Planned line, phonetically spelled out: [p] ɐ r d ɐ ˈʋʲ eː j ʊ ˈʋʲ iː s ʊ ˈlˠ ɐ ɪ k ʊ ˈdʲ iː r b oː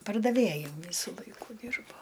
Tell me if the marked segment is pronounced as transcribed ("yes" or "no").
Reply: yes